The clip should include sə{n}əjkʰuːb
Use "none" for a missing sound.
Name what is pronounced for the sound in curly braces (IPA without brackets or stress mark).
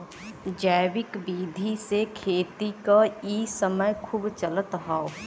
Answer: m